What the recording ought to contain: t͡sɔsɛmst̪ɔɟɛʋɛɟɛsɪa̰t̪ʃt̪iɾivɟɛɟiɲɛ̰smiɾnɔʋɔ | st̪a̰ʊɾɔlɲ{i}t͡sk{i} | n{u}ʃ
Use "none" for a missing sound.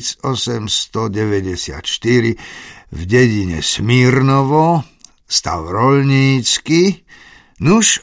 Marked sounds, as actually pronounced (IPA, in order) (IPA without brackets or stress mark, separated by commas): iː, i, u